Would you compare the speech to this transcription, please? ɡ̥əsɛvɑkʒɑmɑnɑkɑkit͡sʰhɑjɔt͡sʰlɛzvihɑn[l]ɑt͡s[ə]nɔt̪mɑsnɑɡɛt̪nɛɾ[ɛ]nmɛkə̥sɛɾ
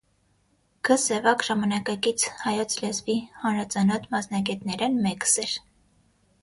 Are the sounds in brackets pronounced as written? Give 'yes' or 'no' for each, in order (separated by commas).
no, no, yes